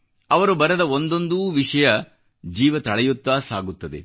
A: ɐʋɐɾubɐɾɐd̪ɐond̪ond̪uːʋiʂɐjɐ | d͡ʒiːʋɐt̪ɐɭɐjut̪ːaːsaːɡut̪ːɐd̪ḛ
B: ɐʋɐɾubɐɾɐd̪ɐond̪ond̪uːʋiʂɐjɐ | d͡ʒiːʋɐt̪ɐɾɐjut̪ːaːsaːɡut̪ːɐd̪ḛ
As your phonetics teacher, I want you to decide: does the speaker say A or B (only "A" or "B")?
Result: A